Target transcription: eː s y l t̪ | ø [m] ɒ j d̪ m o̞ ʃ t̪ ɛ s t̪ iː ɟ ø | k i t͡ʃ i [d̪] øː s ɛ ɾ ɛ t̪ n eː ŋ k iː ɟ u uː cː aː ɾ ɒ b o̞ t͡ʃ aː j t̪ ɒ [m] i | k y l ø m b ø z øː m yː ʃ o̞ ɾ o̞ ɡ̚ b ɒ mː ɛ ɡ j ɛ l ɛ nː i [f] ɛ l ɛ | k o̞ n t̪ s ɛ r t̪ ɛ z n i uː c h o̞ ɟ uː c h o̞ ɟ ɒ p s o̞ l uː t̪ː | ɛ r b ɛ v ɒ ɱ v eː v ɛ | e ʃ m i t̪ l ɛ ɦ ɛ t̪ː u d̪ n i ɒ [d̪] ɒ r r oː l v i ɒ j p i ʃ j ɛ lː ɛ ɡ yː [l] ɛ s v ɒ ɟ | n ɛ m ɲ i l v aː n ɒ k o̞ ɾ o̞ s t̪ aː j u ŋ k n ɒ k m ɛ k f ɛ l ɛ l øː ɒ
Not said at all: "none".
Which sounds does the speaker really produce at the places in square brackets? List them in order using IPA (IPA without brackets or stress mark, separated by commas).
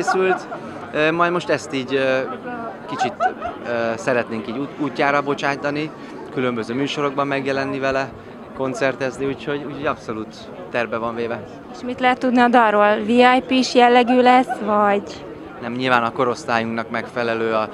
m, t̪, n, v, d̪, l